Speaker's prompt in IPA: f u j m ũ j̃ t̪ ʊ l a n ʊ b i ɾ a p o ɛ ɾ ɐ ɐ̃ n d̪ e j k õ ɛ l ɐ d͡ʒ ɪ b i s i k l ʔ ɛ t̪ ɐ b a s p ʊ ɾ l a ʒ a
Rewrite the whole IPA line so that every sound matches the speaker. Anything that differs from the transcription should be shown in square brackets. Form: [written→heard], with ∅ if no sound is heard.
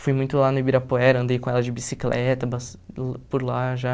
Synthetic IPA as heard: f u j m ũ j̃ t̪ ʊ l a n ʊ b i ɾ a p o ɛ ɾ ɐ ɐ̃ n d̪ e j k õ ɛ l ɐ d͡ʒ ɪ b i s i k l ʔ ɛ t̪ ɐ b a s p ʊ ɾ l a ʒ a